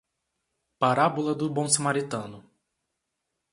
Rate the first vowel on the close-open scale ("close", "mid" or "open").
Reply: open